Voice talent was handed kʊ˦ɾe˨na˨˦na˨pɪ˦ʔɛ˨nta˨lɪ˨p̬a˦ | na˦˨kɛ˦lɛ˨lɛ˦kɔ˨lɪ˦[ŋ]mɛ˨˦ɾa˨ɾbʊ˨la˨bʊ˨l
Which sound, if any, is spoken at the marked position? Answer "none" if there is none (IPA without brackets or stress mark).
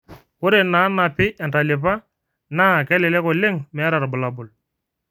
ŋ